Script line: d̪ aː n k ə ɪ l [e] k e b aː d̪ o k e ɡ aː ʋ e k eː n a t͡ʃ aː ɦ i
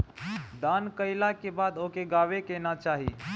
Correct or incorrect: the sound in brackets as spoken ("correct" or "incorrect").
incorrect